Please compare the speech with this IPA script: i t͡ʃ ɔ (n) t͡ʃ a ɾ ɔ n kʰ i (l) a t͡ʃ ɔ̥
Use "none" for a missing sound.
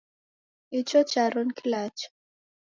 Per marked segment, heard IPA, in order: none, l

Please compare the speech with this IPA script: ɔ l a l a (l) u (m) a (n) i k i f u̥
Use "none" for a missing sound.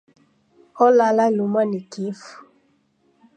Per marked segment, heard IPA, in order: l, m, n

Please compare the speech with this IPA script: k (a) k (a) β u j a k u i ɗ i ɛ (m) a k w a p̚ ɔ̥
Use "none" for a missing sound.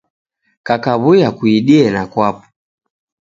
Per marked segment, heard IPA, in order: a, a, n

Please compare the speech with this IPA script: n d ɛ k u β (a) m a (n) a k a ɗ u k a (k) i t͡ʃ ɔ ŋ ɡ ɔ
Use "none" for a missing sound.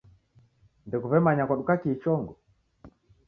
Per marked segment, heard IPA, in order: ɛ, ɲ, k

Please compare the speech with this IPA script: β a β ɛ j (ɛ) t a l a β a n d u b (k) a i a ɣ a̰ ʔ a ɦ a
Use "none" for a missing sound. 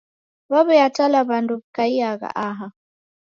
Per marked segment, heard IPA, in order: a, k

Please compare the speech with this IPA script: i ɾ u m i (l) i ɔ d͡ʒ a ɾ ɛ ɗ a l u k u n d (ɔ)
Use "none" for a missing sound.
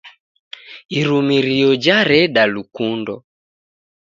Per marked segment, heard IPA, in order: ɾ, ɔ

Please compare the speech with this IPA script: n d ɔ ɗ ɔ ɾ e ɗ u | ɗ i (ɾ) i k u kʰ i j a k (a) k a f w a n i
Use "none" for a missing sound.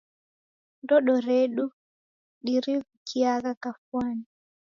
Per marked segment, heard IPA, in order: ɾ, a

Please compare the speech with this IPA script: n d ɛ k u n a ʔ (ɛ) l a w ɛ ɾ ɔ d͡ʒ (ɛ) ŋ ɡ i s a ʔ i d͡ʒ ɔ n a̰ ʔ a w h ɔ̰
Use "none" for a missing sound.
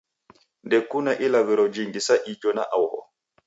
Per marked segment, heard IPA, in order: i, i

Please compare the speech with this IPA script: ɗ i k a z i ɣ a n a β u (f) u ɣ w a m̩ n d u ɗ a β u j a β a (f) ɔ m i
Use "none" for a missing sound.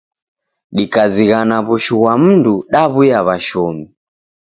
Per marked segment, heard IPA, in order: ʃ, ʃ

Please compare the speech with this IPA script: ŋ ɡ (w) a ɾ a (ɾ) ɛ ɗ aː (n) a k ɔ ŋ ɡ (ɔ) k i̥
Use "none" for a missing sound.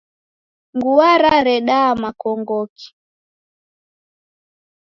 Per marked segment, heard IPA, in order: u, ɾ, m, ɔ

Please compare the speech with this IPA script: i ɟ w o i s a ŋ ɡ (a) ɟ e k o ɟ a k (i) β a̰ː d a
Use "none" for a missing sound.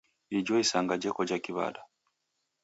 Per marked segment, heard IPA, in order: a, i

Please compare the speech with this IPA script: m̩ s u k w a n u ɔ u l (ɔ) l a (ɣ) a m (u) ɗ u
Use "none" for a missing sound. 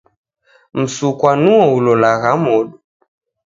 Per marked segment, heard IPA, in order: ɔ, ɣ, ɔ

